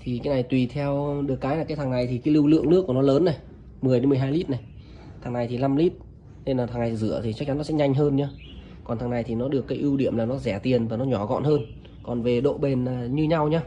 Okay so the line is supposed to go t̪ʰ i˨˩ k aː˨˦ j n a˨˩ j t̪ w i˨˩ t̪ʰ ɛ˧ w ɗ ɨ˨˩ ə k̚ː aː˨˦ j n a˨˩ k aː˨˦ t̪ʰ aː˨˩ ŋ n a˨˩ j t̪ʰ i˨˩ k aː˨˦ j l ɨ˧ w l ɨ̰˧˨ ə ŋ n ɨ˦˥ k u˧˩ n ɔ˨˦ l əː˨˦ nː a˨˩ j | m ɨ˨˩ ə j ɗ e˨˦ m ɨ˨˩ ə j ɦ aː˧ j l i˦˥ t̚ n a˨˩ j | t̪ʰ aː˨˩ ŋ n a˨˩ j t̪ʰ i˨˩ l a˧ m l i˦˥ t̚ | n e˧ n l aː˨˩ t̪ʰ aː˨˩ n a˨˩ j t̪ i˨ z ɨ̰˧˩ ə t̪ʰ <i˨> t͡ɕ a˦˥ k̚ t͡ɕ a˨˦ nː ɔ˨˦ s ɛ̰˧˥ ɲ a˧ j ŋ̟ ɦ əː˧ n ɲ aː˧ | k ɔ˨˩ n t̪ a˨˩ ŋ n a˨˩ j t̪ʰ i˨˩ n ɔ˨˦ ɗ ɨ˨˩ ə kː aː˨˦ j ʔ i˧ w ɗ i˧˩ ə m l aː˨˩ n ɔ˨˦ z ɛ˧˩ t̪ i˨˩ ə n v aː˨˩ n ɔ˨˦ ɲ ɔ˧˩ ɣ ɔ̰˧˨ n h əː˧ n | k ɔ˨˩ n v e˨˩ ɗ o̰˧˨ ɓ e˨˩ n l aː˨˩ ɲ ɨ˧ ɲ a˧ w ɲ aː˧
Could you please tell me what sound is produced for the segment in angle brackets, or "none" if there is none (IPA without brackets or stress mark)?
i˨